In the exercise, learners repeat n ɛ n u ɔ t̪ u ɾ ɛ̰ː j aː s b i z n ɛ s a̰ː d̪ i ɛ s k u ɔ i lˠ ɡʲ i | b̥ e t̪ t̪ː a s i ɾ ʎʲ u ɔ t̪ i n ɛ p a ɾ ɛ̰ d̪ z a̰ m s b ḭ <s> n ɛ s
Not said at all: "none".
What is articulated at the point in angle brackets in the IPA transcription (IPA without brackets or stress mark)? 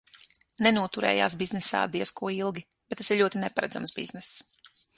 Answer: z